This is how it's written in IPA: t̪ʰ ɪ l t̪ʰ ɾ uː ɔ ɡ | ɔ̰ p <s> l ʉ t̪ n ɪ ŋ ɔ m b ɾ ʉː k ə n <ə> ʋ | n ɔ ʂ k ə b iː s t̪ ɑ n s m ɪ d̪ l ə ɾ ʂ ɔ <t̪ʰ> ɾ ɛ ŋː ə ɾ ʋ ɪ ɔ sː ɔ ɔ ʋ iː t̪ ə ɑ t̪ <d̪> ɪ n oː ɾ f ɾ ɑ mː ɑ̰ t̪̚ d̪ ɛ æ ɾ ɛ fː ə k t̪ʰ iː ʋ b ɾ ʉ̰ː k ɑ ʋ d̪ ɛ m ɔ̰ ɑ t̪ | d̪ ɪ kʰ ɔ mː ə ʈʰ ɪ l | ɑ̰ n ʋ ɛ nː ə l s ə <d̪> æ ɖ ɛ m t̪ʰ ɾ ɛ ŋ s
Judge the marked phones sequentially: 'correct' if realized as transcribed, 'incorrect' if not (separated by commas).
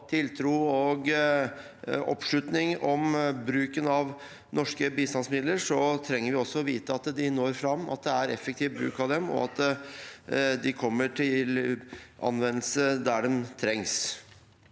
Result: incorrect, incorrect, correct, correct, correct